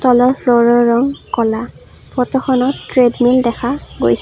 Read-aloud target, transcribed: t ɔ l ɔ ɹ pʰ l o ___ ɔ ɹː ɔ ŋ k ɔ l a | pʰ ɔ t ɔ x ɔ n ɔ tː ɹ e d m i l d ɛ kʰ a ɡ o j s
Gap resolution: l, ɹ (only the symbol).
ɹ